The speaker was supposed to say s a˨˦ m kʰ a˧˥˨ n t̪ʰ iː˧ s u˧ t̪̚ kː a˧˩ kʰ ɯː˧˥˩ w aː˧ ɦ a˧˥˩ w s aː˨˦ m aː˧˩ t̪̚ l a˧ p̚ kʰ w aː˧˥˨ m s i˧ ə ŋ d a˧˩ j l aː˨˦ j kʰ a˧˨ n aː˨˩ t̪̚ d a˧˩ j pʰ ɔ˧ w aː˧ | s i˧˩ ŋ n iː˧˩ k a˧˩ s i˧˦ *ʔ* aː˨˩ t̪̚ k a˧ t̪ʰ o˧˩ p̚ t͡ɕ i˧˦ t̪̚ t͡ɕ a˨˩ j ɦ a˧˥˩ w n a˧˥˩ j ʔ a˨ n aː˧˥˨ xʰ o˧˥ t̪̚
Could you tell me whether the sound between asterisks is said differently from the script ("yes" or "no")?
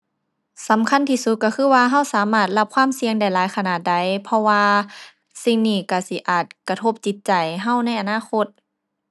no